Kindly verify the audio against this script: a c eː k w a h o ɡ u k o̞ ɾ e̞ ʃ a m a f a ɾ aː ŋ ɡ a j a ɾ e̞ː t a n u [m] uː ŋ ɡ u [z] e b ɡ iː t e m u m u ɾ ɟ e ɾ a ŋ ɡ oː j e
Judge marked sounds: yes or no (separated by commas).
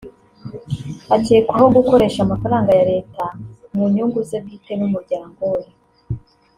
no, yes